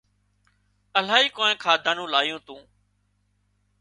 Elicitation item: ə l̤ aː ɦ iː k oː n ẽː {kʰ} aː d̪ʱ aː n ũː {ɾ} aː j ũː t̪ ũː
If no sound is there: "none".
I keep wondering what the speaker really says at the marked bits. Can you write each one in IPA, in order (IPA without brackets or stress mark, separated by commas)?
kʰ, l